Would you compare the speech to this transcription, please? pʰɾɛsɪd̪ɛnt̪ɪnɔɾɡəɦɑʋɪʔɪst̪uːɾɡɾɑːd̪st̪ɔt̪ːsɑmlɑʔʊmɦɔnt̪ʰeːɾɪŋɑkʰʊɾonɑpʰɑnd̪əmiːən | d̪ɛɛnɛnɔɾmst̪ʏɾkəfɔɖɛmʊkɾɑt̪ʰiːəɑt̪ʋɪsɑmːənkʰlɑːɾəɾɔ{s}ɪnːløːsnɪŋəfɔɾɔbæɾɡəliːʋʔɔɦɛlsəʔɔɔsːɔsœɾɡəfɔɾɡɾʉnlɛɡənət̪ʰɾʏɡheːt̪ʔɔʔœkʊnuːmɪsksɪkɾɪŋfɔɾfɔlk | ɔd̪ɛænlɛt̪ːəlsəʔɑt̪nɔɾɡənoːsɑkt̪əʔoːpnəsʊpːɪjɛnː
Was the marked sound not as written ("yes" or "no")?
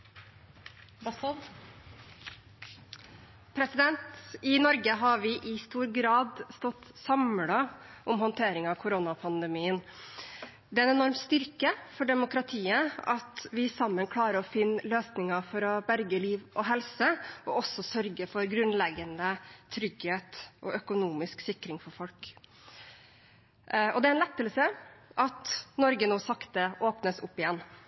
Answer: yes